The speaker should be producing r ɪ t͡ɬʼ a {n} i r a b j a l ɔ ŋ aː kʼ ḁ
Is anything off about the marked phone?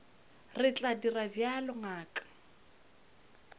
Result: yes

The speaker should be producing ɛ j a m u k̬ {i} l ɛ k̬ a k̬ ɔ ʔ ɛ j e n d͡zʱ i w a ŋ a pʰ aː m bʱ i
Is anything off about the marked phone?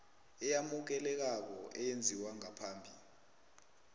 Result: yes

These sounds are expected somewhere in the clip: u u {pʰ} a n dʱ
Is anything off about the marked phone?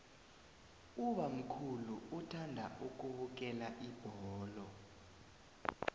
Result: yes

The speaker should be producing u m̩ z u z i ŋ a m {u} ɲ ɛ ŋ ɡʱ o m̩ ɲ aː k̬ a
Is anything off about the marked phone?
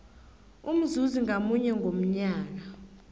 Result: no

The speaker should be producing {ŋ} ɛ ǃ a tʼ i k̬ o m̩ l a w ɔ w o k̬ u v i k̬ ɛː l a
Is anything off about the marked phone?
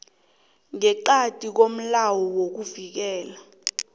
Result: no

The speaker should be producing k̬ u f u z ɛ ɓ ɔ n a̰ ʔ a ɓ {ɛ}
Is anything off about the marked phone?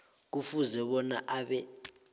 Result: no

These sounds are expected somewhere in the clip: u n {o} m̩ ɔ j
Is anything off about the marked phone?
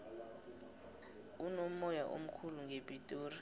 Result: no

